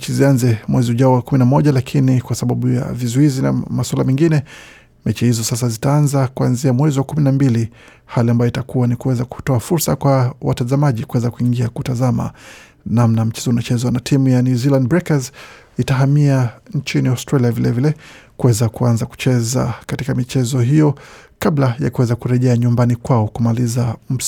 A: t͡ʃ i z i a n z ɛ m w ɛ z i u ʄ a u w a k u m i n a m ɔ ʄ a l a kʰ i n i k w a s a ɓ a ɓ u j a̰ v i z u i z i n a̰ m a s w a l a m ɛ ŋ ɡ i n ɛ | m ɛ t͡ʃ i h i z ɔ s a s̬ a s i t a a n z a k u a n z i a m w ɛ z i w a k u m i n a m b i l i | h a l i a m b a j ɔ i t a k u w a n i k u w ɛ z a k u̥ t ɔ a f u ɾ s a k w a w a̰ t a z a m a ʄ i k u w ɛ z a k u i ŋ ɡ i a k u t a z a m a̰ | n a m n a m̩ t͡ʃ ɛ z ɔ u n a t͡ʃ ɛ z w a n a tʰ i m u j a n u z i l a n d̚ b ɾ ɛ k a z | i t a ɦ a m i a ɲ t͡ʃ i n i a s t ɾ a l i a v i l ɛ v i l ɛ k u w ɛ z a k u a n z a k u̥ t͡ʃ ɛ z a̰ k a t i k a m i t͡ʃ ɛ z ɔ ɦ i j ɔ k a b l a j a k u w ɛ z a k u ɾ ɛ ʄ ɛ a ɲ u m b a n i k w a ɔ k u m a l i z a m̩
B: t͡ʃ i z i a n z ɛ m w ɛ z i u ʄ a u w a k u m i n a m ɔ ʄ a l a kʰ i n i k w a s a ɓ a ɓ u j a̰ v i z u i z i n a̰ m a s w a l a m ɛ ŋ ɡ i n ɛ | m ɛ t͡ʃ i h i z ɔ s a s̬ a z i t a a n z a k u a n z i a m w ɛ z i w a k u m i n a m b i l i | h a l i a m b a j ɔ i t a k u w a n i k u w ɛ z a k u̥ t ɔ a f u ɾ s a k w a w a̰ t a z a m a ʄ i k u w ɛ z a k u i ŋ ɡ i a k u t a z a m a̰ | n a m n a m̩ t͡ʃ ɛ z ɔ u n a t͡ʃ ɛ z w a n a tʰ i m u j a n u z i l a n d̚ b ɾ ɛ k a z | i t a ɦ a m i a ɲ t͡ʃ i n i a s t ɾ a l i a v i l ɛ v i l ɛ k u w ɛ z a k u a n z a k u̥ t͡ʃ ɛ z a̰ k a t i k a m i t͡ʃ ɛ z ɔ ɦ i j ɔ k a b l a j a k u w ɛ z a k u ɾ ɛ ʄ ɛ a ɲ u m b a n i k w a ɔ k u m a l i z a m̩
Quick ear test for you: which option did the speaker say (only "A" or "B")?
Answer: B